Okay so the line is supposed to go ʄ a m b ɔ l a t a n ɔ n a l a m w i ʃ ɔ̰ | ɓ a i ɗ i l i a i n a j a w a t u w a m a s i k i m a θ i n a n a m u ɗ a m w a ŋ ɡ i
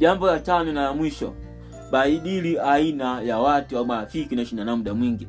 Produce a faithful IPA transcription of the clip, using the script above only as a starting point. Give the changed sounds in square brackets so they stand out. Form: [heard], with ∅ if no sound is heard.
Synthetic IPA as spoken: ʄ a m b ɔ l a t a n ɔ n a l a m w i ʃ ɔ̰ | ɓ a i ɗ i l i a i n a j a w a t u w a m a [f] i k i [n] a [ʃ] i n a n a m u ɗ a m w [i] ŋ ɡ i